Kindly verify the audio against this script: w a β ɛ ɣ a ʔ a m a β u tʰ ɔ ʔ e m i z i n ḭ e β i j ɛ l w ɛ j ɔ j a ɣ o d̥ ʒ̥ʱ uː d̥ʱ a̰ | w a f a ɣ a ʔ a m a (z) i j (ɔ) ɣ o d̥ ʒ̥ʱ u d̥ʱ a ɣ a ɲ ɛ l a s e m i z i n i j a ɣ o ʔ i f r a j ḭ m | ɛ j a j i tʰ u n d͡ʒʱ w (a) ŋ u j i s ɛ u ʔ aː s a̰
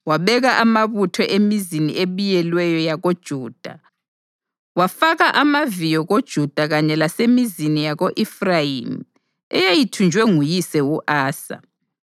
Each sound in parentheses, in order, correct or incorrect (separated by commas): incorrect, correct, incorrect